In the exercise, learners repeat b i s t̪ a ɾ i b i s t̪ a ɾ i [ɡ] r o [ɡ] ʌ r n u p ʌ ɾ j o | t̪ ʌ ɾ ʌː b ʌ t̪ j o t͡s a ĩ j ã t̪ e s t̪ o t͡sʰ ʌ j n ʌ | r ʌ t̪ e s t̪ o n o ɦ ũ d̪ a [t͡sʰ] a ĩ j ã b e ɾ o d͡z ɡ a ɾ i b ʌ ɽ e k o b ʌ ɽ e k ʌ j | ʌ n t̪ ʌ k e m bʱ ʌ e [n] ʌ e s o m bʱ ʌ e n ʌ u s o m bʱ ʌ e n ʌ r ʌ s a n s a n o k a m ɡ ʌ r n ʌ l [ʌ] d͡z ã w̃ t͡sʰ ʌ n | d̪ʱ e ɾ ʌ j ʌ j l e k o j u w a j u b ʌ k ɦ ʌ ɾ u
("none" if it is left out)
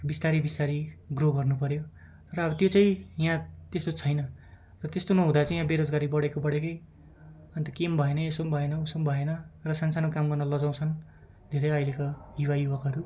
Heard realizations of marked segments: ɡ, ɡ, t͡s, n, ʌ

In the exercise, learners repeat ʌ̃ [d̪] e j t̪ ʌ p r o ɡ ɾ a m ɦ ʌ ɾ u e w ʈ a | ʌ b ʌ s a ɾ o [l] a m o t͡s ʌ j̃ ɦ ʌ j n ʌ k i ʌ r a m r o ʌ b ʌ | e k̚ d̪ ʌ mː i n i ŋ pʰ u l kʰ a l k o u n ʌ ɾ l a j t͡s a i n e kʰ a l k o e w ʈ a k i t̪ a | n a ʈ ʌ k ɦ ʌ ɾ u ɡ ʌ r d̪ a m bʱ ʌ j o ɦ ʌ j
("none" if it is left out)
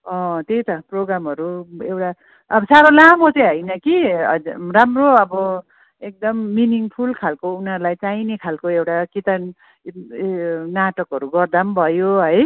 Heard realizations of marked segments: t̪, l

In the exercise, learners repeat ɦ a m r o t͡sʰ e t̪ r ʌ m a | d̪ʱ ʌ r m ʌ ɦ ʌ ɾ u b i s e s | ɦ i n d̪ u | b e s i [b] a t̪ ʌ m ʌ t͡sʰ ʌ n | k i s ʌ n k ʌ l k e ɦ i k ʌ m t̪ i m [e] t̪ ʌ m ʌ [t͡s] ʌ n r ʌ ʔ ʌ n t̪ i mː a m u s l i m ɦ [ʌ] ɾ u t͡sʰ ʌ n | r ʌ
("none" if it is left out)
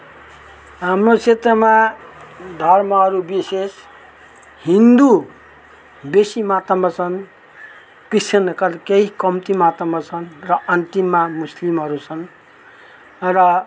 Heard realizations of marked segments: m, a, t͡sʰ, ʌ

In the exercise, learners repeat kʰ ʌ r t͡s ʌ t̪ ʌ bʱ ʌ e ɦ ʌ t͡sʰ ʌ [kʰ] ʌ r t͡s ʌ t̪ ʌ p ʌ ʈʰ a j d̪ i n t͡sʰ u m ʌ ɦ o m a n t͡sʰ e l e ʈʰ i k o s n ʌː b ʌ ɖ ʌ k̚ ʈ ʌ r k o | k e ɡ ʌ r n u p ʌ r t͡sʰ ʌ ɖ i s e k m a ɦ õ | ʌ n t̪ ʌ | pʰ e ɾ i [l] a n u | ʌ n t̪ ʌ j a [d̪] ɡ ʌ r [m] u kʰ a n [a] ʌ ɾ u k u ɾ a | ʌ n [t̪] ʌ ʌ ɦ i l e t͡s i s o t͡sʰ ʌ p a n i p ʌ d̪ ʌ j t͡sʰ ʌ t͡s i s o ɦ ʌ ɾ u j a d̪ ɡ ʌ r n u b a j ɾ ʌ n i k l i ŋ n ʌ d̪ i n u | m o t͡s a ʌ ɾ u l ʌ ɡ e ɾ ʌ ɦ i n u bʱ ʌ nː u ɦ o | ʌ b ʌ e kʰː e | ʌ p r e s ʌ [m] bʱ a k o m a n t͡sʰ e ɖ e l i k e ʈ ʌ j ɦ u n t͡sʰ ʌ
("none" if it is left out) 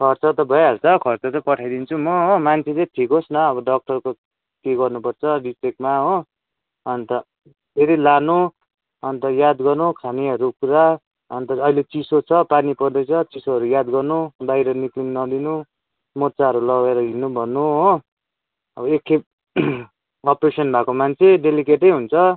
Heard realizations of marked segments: kʰ, l, d̪, n, i, t̪, n

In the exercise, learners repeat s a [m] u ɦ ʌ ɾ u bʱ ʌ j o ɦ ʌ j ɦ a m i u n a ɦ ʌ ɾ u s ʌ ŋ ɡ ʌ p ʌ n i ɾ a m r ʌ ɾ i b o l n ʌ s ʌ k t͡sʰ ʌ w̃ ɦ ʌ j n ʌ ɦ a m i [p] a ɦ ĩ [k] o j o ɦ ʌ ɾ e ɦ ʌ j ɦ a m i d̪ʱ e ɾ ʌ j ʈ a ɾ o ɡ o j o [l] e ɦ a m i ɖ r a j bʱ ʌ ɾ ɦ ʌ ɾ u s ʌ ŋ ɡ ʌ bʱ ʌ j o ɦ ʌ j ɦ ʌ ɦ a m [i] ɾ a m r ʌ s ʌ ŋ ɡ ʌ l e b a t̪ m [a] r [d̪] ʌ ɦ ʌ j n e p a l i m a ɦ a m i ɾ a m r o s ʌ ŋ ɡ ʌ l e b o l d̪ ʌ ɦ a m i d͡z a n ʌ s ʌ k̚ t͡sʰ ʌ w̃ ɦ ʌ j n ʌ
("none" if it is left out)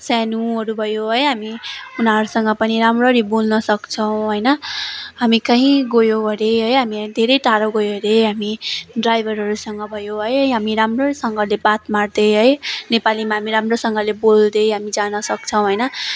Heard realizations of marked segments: n, k, ɡ, ɾ, i, a, d̪

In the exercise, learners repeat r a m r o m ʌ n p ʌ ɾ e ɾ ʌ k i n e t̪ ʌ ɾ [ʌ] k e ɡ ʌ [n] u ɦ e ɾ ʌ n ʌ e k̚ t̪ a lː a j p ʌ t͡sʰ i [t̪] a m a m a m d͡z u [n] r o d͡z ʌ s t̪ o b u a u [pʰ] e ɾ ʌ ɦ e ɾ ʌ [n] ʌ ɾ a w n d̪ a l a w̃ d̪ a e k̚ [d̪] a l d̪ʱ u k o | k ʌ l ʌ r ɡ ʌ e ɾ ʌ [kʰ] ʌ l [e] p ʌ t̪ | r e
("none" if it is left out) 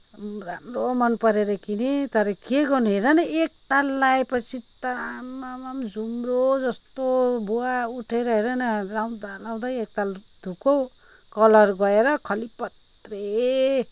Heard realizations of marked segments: ʌ, n, t̪, m, ʈʰ, n, t̪, kʰ, i

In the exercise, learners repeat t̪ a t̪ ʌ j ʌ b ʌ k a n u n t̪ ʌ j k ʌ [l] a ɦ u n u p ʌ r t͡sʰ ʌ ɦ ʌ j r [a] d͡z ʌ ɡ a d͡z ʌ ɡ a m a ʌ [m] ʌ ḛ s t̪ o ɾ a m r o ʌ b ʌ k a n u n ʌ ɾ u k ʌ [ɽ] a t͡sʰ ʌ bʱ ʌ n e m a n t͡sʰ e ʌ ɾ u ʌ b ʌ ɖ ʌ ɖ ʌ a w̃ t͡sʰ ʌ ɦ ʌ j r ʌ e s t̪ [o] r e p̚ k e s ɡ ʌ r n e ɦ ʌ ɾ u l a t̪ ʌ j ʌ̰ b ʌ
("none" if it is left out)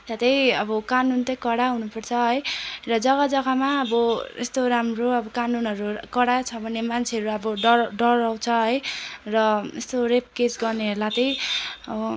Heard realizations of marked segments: ɽ, ʌ, b, ɽ, o

